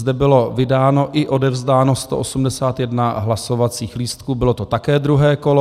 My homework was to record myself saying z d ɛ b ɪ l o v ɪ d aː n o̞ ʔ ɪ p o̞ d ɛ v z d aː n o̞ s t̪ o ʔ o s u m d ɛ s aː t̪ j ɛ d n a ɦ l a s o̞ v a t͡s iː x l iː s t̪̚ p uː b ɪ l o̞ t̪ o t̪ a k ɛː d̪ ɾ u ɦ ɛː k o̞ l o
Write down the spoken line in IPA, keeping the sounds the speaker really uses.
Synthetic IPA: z d ɛ b ɪ l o v ɪ d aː n o̞ ʔ ɪ ʔ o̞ d ɛ v z d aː n o̞ s t̪ o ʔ o s u m d ɛ s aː t̪ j ɛ d n a ɦ l a s o̞ v a t͡s iː x l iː s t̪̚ k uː b ɪ l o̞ t̪ o t̪ a k ɛː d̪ ɾ u ɦ ɛː k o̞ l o